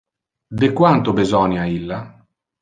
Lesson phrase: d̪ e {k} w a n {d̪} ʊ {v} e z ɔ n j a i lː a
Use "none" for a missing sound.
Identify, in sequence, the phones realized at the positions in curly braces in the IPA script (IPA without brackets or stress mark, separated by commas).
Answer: k, t̪, b